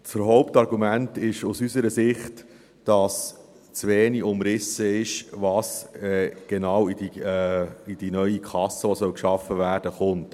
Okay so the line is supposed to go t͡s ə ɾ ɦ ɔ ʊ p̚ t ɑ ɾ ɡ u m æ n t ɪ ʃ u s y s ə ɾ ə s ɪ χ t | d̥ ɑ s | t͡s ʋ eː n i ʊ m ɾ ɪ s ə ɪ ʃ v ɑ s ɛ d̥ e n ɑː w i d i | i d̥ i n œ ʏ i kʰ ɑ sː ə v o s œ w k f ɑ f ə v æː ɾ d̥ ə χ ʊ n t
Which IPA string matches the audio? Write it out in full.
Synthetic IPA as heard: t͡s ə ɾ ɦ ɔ ʊ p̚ t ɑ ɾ ɡ u m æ n t ɪ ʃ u s y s ə ɾ ə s ɪ χ t | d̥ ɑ s | t͡s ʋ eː n i ʊ m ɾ ɪ s ə ɪ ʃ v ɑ s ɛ ɡ̥ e n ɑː w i d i | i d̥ i n œ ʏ i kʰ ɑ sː ə ʋ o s œ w k ʃ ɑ f ə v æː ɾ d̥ ə χ ʊ n t